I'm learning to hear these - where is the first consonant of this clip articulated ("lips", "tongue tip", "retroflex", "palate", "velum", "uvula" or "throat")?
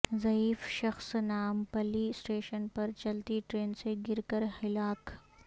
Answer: tongue tip